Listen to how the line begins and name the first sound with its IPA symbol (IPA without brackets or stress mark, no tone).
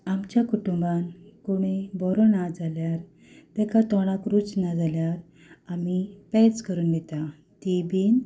a